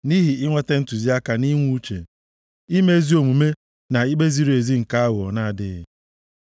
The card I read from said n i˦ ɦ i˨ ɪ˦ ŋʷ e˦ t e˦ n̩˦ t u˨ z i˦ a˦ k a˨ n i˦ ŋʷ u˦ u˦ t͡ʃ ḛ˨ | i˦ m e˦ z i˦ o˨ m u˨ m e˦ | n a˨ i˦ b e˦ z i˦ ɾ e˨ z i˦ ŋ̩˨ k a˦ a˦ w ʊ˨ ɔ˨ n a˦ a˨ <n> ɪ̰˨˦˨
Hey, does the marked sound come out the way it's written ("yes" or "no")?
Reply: no